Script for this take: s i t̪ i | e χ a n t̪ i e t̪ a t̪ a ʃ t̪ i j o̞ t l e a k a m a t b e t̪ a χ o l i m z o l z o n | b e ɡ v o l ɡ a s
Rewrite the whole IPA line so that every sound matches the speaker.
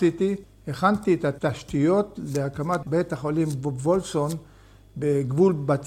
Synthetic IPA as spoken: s i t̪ i | e χ a n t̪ i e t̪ a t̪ a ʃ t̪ i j o̞ t l e a k a m a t b e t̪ a χ o l i m v o l s o n | b e ɡ v u l b a t͡s